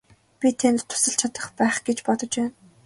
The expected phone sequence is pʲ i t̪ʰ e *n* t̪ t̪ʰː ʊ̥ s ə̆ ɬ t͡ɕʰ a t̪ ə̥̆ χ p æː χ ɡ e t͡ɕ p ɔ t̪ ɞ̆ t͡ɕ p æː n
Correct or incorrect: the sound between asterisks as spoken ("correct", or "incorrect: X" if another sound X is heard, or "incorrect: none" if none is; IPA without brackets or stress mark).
correct